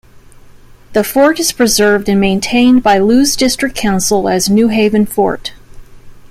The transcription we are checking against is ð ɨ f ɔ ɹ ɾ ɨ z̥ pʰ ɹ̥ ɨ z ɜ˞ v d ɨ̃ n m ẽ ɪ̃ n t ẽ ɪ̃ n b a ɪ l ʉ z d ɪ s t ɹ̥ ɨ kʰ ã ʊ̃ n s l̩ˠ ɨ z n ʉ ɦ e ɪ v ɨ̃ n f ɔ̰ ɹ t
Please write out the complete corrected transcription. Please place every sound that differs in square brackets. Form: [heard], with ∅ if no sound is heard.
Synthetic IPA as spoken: ð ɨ f ɔ ɹ ɾ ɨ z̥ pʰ ɹ̥ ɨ z ɜ˞ v d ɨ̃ n m ẽ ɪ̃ n [tʰ] ẽ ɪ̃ n b a ɪ l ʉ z d ɪ s t ɹ̥ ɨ kʰ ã ʊ̃ n s l̩ˠ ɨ z n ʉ ɦ e ɪ v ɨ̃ n f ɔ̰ ɹ t